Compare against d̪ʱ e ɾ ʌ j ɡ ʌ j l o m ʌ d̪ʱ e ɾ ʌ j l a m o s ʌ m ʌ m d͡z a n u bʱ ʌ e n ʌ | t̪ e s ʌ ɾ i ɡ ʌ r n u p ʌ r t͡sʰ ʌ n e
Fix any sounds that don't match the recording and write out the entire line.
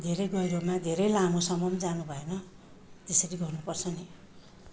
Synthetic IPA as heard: d̪ʱ e ɾ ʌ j ɡ ʌ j ɾ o m a d̪ʱ e ɾ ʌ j l a m o s ʌ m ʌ m d͡z a n u bʱ ʌ e n ʌ | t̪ e s ʌ ɾ i ɡ ʌ r n u p ʌ r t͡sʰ ʌ n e